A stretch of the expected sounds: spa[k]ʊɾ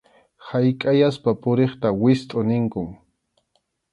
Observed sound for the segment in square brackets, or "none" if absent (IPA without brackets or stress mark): p